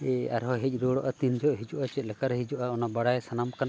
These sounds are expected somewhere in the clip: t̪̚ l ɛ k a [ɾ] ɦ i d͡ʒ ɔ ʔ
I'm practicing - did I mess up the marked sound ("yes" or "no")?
no